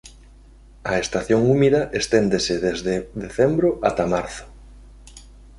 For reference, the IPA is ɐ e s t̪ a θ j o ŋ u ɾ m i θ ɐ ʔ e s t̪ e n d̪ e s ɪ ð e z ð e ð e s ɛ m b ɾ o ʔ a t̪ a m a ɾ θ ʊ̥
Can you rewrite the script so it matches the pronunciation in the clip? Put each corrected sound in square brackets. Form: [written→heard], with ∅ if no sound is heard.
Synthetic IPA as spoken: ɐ e s t̪ a θ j o ŋ u [ɾ→∅] m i [θ→ð] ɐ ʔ e s t̪ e n d̪ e s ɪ ð e z ð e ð e [s→θ] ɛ m b ɾ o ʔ a t̪ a m a ɾ θ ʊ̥